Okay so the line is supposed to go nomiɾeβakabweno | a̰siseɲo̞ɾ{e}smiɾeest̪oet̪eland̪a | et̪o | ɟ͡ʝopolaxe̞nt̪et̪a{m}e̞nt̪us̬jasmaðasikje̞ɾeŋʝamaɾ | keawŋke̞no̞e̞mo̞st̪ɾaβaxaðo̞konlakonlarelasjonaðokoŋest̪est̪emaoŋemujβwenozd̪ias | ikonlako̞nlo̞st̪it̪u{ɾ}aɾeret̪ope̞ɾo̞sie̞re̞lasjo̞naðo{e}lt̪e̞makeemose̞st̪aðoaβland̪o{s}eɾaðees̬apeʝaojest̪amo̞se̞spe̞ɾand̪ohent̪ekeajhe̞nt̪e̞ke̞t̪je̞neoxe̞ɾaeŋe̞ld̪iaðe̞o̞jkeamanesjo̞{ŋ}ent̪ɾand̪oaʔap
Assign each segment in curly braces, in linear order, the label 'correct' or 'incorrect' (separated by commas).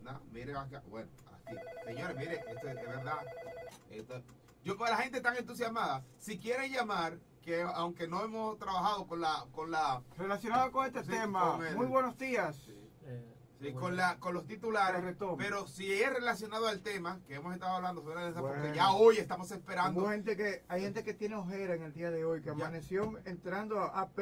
correct, incorrect, incorrect, incorrect, incorrect, correct